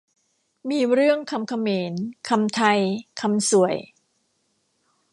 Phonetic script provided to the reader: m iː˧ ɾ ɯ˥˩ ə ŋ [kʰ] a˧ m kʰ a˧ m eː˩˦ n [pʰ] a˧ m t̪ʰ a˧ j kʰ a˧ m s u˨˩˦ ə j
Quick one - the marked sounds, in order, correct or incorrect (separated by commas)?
correct, incorrect